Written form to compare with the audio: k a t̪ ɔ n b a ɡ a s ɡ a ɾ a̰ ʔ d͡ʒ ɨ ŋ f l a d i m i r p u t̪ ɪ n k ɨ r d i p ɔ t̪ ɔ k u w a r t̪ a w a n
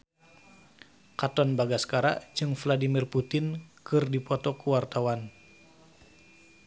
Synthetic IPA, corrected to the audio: k a t̪ ɔ n b a ɡ a s k a ɾ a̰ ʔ d͡ʒ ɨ ŋ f l a d i m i r p u t̪ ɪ n k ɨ r d i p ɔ t̪ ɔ k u w a r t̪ a w a n